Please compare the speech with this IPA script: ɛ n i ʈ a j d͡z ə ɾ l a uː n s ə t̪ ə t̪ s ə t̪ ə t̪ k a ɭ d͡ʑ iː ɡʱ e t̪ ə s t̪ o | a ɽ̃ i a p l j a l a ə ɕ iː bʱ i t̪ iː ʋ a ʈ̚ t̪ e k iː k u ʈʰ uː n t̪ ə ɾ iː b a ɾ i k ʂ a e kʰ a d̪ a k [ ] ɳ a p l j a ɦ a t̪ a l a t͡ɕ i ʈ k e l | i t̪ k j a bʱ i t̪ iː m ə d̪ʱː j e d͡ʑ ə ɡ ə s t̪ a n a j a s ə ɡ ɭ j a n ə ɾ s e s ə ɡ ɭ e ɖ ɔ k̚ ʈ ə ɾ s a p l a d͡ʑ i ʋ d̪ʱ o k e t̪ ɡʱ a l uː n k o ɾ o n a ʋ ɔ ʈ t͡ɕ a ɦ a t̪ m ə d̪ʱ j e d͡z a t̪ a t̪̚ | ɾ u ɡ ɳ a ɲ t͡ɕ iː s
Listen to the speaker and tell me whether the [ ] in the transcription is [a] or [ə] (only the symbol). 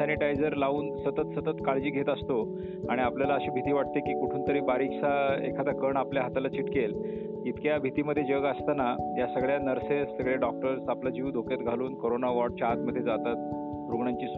ə